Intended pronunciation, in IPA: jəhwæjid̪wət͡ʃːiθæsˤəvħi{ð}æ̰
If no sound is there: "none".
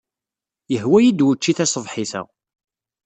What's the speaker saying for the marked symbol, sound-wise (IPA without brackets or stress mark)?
θ